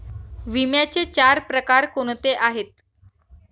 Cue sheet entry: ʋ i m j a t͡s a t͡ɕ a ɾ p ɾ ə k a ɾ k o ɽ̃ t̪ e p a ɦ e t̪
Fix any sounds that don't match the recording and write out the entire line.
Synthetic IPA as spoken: ʋ i m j a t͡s e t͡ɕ a ɾ p ɾ ə k a ɾ k o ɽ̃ t̪ e ʔ a ɦ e t̪